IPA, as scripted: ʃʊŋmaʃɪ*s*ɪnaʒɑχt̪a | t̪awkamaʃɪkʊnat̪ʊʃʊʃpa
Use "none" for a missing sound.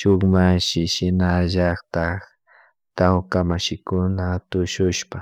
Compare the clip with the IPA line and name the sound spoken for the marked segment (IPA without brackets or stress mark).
ʃ